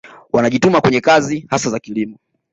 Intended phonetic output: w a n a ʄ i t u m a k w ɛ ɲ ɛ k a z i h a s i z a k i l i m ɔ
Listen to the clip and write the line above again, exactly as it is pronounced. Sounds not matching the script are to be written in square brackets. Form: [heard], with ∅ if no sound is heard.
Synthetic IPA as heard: w a n a ʄ i t u m a k w ɛ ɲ ɛ k a z i h a s [a] z a k i l i m ɔ